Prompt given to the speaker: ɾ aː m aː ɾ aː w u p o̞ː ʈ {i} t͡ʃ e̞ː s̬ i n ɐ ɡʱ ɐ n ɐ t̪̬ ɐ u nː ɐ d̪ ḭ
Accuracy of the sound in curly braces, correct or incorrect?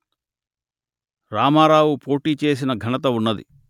incorrect